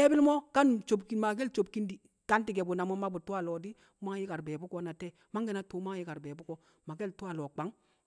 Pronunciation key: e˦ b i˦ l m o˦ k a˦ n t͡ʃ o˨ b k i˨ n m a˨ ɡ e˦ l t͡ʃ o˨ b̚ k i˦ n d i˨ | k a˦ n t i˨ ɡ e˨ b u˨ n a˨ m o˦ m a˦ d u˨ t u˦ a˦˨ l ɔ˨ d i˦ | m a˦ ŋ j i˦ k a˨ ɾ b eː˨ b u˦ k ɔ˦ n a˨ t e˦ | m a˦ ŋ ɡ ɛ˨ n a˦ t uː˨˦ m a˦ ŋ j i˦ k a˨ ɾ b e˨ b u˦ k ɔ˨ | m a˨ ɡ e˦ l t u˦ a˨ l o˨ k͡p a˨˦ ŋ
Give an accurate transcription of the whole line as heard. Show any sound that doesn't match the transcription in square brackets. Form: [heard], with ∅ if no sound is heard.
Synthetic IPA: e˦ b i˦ l m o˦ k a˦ n t͡ʃ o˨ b k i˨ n m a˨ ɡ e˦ l t͡ʃ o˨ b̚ k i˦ n d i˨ | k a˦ n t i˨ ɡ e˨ b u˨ n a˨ m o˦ m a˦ [b] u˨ t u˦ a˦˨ l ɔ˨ d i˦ | m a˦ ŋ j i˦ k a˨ ɾ b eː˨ b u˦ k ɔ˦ n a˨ t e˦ | m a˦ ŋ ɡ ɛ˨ n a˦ t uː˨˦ m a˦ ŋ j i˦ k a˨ ɾ b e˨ b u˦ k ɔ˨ | m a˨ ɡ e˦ l t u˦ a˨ l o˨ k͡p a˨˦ ŋ